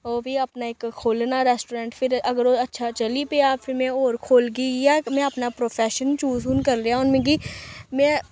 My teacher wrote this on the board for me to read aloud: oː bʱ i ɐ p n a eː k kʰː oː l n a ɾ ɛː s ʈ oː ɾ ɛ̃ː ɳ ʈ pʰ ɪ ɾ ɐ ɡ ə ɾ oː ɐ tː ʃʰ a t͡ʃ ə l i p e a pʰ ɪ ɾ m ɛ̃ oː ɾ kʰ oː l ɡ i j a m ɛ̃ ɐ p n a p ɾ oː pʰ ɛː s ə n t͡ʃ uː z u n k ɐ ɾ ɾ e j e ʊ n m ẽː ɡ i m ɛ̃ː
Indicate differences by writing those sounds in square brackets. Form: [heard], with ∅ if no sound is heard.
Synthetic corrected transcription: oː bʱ i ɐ p n a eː k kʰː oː l n a ɾ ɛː s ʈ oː ɾ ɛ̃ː ɳ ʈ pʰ ɪ ɾ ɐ ɡ ə ɾ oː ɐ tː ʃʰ a t͡ʃ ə l i p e a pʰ ɪ ɾ m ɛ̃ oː ɾ kʰ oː l ɡ i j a m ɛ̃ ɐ p n a p ɾ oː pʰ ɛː [ʃ] ə n t͡ʃ uː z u n k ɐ ɾ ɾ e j [a] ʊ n m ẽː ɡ i m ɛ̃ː